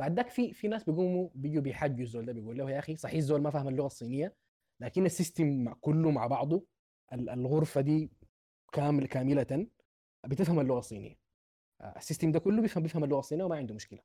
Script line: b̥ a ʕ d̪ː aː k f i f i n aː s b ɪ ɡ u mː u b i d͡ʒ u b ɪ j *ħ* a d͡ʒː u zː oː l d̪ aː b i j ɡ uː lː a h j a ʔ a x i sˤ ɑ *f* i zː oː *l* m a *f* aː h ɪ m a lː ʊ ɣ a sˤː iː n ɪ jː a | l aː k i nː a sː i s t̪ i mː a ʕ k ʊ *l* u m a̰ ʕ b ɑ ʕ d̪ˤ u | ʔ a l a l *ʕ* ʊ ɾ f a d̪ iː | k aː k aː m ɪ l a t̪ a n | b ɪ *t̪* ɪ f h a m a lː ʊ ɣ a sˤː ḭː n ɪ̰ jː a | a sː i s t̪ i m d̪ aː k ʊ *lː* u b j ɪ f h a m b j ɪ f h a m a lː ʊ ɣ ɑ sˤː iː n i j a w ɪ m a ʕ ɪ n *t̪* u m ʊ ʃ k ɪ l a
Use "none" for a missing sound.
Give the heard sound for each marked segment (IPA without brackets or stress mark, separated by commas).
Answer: ħ, ħ, l, f, lː, ɣ, t̪, lː, d̪